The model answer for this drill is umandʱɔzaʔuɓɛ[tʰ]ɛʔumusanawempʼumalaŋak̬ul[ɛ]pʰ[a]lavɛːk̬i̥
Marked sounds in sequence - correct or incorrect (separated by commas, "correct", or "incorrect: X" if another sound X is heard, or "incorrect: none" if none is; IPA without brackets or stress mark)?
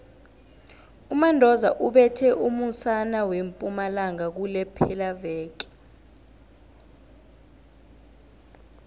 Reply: correct, correct, incorrect: ɛ